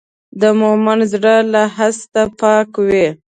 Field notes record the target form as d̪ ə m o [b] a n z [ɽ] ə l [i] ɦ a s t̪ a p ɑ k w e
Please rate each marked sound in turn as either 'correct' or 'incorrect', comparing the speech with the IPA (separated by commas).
incorrect, correct, incorrect